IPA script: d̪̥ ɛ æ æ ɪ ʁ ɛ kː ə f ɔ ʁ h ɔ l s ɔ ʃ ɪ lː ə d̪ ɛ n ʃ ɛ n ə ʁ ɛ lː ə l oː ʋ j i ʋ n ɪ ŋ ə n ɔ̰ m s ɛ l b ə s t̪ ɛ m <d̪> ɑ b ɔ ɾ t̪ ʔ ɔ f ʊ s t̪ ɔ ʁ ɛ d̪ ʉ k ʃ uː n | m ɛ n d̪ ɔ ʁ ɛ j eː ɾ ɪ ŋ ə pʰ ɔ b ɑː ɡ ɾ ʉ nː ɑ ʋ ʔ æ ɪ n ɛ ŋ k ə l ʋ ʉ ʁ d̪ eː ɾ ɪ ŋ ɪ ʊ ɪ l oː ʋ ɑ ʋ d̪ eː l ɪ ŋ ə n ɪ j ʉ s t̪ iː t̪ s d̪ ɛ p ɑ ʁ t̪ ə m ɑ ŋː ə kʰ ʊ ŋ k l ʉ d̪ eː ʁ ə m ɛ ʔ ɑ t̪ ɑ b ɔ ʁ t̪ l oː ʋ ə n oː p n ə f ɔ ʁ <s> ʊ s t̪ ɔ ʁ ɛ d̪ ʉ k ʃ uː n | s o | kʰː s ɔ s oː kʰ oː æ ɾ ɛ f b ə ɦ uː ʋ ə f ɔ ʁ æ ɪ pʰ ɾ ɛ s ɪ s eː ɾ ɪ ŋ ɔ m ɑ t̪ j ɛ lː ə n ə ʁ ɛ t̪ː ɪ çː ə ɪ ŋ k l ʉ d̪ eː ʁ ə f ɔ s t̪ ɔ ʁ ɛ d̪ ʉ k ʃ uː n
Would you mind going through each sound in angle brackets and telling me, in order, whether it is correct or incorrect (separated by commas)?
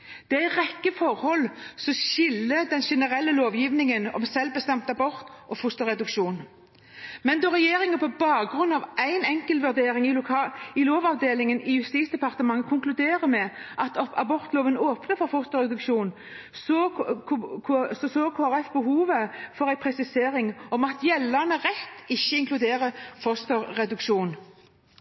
incorrect, incorrect